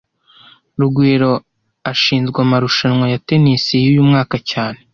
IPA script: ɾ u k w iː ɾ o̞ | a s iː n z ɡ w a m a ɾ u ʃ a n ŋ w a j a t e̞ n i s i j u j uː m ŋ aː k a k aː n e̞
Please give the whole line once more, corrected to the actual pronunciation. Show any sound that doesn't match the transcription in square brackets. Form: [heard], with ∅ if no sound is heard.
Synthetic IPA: ɾ u [ɡ] w iː ɾ o̞ | a [ʃ] iː n z ɡ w a m a ɾ u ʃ a n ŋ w a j a t e̞ n i s i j u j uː m ŋ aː k a [c] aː n e̞